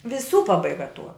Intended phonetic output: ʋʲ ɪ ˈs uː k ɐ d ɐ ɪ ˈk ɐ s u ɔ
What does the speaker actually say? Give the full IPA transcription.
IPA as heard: ʋʲ ɪ ˈs uː p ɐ b ɐ ɪ ˈɡ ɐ t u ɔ